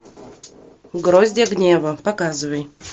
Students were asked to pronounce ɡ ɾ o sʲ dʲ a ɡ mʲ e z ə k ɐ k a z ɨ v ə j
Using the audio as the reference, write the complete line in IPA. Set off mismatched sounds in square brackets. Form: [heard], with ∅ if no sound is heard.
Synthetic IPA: ɡ ɾ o [zʲ] dʲ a ɡ [nʲ] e [v] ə [p] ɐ k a z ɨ v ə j